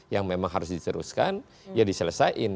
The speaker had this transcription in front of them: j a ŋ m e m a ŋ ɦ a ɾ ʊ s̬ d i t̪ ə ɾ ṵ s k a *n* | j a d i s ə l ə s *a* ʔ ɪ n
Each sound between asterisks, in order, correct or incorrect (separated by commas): correct, correct